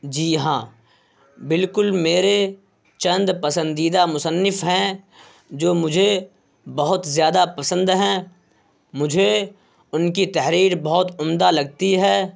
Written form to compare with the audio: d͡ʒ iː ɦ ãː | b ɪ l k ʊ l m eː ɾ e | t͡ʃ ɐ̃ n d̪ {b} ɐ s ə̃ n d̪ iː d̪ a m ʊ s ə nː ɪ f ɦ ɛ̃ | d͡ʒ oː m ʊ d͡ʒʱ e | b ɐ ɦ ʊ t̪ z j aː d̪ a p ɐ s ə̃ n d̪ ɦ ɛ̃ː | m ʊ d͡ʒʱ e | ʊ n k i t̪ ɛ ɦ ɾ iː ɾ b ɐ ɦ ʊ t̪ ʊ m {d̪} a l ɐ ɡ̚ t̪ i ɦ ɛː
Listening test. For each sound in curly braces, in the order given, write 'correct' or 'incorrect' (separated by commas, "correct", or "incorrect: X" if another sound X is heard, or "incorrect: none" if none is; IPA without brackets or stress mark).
incorrect: p, correct